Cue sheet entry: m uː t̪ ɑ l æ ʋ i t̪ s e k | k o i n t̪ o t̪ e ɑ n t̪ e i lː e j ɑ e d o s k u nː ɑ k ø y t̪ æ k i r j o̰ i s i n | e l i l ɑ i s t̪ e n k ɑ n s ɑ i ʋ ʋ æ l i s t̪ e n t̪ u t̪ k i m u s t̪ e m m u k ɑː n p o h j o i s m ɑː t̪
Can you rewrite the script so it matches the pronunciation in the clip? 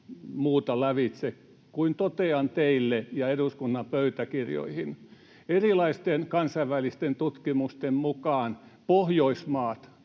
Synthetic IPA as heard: m uː t̪ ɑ l æ ʋ i t̪ s e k | k u i n t̪ o t̪ e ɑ n t̪ e i lː e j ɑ e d u s k u nː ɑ p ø y t̪ æ k i r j o̰ i h i n | e r i l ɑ i s t̪ e n k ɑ n s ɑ i ʋ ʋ æ l i s t̪ e n t̪ u t̪ k i m u s t̪ e m m u k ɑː n p o h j o i s m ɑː t̪